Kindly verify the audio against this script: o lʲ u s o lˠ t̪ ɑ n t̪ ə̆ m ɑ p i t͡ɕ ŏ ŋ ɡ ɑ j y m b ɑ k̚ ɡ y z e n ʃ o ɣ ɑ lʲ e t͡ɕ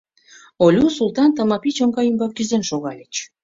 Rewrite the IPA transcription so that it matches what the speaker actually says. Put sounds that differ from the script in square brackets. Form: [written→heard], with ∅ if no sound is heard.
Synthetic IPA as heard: o lʲ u s [o→u] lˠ t̪ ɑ n t̪ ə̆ m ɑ p i t͡ɕ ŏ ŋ ɡ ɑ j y m b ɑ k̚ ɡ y z e n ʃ o ɣ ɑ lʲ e t͡ɕ

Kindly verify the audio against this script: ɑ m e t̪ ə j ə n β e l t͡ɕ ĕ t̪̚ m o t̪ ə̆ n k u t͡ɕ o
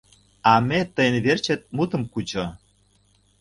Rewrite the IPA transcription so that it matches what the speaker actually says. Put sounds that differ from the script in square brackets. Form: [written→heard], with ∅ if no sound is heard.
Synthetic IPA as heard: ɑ m e t̪ ə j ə n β e [l→r] t͡ɕ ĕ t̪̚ m [o→u] t̪ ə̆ [n→m] k u t͡ɕ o

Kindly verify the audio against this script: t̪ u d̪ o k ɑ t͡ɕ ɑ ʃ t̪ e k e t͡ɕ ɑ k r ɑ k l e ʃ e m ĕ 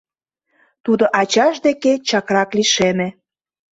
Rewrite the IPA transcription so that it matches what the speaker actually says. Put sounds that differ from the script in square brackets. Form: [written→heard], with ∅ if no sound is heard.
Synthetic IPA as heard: t̪ u d̪ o [k→ʔ] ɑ t͡ɕ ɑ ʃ [t̪→d̪] e k e t͡ɕ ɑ k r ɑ k l [e→i] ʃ e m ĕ

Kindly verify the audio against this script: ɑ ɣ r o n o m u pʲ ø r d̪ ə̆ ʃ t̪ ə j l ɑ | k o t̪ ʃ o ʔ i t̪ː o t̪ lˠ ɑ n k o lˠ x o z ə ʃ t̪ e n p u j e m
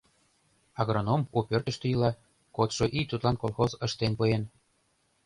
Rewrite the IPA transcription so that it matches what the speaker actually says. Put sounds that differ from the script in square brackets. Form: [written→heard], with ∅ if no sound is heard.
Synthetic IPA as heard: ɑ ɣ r o n o m u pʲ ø r [d̪→t̪] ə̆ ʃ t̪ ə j l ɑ | k o t̪ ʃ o ʔ i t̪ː [o→u] t̪ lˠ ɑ n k o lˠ x o z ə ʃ t̪ e n p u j e [m→n]

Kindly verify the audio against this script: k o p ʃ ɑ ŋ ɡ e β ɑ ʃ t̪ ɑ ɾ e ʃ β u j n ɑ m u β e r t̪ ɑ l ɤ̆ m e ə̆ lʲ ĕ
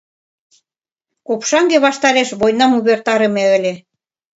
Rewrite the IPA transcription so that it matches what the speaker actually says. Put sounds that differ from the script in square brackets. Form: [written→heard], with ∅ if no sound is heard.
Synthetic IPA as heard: k o p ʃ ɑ ŋ ɡ e β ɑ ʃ t̪ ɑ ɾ e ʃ β [u→o] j n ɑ m u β e r t̪ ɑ [l→ɾ] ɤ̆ m e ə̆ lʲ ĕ

